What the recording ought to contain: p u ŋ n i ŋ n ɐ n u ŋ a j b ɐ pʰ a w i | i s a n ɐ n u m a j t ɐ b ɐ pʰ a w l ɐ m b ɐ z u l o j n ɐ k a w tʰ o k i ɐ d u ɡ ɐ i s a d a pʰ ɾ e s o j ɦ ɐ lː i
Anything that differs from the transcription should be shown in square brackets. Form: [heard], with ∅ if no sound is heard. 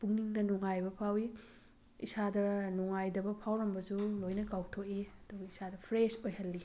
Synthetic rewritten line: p u ŋ n i ŋ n ɐ n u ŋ a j b ɐ pʰ a w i | i s a [d] ɐ n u [ŋ] a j [d] ɐ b ɐ pʰ a w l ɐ m b ɐ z u l o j n ɐ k a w tʰ o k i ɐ d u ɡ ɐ i s a d [ɐ] pʰ ɾ e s o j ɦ ɐ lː i